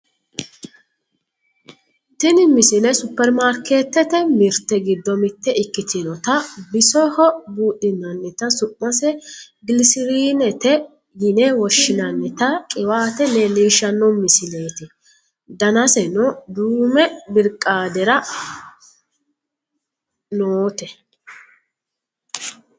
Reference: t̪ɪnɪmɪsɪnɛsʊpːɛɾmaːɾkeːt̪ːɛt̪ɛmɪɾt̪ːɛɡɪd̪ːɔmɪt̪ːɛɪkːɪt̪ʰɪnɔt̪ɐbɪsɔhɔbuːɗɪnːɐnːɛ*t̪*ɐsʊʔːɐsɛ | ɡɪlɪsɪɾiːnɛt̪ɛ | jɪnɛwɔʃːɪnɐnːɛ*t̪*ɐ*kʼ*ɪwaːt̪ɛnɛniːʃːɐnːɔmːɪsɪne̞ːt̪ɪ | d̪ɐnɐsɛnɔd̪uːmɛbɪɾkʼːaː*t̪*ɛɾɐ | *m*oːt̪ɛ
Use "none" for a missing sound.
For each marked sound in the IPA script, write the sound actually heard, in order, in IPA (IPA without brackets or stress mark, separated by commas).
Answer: t̪, t̪, kʼ, d̪, n